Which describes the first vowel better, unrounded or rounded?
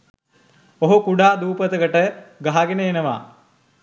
rounded